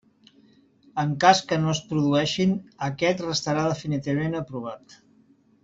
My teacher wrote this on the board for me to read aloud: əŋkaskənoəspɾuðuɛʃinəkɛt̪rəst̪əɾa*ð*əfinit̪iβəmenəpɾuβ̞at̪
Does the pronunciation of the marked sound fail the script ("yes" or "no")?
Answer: no